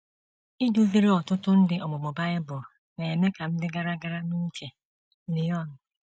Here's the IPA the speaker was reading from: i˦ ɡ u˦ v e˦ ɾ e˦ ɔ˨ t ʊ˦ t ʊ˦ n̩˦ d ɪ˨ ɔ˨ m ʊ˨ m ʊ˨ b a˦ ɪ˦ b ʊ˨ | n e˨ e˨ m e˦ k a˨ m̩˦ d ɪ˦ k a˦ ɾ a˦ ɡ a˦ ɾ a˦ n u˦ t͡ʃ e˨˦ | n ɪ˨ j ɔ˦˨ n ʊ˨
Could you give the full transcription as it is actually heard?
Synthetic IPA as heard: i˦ d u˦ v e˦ ɾ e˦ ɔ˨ t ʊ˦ t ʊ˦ n̩˦ d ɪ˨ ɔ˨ m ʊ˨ m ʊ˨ b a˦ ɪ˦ b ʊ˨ | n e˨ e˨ m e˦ k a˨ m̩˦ d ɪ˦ ɡ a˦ ɾ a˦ ɡ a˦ ɾ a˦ n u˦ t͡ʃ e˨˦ | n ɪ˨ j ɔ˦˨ n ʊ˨